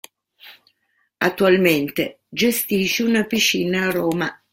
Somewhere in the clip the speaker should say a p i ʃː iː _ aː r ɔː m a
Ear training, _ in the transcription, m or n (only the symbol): n